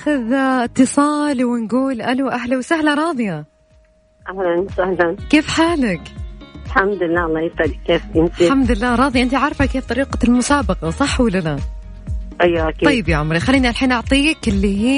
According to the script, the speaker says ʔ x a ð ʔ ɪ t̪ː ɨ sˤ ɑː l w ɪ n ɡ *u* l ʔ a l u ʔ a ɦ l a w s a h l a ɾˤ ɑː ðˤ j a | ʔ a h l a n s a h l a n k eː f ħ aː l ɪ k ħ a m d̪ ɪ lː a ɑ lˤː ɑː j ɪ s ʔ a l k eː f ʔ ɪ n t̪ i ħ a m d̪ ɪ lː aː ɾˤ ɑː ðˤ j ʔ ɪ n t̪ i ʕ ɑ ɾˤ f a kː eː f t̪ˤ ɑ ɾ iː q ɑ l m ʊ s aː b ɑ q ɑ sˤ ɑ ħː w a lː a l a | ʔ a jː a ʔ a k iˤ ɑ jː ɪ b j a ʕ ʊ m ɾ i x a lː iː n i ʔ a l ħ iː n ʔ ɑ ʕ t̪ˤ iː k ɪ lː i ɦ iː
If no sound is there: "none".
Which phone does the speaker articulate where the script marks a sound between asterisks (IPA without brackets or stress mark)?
uː